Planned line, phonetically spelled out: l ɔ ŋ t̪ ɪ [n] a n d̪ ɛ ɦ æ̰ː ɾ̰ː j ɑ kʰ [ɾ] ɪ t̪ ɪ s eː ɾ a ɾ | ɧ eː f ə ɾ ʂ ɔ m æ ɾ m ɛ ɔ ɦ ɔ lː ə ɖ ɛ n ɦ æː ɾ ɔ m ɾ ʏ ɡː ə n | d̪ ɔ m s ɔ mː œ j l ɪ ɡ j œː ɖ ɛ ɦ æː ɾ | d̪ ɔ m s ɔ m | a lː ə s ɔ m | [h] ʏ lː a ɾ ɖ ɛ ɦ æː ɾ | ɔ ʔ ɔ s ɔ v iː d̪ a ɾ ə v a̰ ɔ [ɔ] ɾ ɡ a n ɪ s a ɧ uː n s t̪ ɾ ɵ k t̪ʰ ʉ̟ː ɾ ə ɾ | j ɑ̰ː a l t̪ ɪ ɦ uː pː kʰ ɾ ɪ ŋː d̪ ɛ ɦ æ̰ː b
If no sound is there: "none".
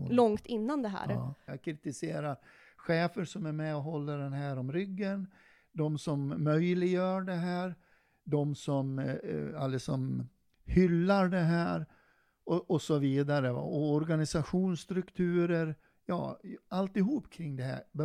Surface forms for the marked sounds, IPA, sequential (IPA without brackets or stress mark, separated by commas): nː, ɾ, h, ɔ